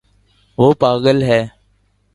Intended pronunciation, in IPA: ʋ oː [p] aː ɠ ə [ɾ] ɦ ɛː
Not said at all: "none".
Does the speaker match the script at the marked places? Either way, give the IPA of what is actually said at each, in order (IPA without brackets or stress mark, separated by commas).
p, l